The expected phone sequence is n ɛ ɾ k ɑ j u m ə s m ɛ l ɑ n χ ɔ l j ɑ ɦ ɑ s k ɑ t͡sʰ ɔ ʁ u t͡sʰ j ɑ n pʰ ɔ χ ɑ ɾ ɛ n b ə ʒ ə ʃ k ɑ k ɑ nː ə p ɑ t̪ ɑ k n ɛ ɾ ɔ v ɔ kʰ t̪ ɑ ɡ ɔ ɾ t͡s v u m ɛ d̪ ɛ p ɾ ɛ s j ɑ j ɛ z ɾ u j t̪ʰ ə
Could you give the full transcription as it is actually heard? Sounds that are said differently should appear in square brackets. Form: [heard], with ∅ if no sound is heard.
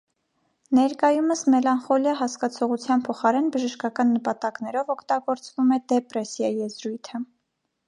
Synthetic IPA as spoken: n ɛ ɾ k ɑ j u m ə s m ɛ l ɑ n χ ɔ l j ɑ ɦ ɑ s k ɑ t͡sʰ ɔ ʁ u t͡sʰ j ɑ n pʰ ɔ χ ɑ ɾ ɛ n b ə ʒ ə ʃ k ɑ k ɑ nː ə p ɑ t̪ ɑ k n ɛ ɾ ɔ v ɔ kʰ t̪ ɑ ɡ ɔ ɾ t͡s v u m ɛ d̪ ɛ p ɾ ɛ s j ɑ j ɛ z ɾ u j t̪ʰ ə